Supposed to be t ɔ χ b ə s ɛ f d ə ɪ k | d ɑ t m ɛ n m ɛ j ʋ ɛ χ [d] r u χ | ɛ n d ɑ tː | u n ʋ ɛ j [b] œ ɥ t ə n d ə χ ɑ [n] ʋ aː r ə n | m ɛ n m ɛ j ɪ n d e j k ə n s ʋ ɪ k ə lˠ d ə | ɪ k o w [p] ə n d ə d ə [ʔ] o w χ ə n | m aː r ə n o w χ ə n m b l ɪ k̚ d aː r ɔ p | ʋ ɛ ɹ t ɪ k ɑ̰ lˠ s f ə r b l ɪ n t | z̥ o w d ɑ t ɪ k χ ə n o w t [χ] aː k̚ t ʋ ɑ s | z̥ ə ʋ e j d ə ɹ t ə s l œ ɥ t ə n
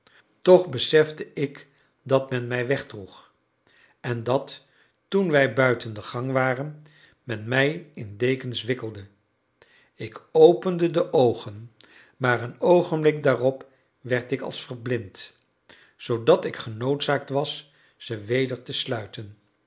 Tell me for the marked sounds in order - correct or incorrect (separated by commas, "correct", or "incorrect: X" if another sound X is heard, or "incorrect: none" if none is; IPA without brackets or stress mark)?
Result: correct, correct, incorrect: ŋ, correct, correct, incorrect: s